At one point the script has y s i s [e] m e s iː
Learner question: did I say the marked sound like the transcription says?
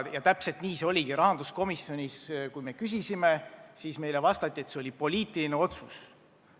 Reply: no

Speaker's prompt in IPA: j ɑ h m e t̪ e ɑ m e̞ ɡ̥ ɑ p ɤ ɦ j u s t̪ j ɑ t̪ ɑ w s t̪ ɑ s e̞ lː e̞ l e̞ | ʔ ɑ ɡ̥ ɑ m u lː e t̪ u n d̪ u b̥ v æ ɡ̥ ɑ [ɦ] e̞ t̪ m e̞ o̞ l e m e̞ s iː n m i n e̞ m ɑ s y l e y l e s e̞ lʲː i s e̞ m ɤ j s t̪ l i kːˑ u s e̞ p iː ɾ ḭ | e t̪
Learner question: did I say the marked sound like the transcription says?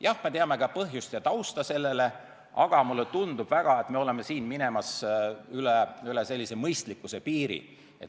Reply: no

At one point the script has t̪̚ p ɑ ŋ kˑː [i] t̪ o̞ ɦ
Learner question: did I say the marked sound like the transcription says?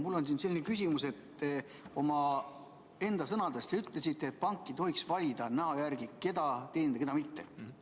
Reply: yes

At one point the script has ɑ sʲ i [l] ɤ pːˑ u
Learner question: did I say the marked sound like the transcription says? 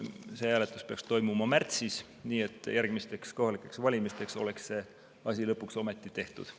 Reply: yes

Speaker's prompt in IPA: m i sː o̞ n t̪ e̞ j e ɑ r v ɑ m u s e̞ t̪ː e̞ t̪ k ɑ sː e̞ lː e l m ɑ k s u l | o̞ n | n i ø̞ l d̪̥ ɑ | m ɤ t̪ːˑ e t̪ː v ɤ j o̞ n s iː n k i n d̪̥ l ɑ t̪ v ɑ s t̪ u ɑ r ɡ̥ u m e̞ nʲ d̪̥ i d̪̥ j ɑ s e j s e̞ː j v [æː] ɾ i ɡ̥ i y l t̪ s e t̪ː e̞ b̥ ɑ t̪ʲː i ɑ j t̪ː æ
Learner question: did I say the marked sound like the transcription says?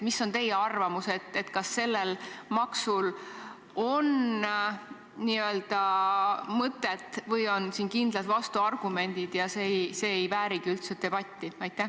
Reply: yes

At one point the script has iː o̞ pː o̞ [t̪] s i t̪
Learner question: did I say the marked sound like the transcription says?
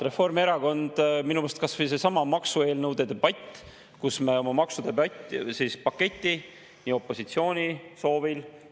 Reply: no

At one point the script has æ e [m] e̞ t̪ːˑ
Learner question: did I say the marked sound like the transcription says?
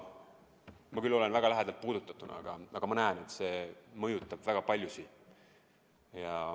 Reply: no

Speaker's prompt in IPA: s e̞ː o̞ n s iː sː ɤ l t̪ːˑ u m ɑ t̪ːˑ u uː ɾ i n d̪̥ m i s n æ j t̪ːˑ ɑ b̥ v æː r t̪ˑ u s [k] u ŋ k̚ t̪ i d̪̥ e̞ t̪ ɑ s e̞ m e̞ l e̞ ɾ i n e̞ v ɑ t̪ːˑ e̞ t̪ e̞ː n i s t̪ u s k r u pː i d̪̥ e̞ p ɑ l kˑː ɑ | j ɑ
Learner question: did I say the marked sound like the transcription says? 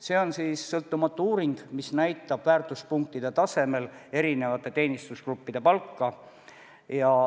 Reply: no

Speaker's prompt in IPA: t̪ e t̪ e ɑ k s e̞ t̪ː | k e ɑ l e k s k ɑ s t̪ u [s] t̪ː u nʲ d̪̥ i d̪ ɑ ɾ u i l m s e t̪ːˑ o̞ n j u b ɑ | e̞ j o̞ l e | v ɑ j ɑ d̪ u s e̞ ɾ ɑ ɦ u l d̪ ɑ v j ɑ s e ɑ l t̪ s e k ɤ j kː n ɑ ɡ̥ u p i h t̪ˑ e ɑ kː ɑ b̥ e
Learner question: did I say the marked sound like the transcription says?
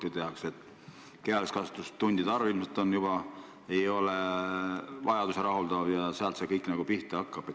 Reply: yes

